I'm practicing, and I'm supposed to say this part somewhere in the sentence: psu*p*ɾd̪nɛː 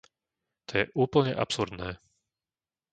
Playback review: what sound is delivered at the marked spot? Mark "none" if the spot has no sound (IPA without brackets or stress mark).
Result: none